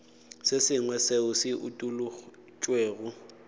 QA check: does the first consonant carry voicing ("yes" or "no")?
no